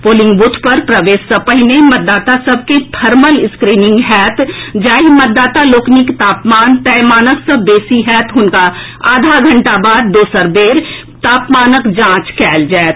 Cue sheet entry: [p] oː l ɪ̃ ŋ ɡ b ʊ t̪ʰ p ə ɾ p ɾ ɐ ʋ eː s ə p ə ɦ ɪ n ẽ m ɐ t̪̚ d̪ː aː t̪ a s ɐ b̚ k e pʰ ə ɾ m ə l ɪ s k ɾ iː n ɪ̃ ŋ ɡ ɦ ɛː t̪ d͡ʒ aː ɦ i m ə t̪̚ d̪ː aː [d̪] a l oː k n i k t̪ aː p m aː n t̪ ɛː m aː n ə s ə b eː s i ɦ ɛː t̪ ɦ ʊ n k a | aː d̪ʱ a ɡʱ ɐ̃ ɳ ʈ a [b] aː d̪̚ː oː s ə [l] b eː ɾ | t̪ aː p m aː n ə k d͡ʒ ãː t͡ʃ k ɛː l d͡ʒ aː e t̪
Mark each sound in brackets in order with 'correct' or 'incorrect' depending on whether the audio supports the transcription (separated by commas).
correct, incorrect, correct, incorrect